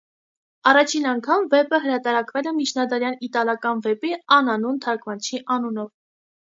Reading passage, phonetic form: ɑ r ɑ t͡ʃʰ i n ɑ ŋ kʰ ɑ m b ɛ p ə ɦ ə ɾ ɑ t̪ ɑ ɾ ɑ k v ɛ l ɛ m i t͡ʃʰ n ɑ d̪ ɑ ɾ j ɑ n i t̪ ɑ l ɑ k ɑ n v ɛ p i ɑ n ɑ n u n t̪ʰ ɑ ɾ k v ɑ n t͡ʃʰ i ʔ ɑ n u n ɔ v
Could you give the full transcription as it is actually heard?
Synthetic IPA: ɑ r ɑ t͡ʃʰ i n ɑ ŋ kʰ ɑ m v ɛ p ə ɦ ə ɾ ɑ t̪ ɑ ɾ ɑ k v ɛ l ɛ m i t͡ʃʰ n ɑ d̪ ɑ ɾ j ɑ n i t̪ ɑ l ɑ k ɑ n v ɛ p i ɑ n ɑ n u n t̪ʰ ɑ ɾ k v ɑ n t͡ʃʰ i ʔ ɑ n u n ɔ v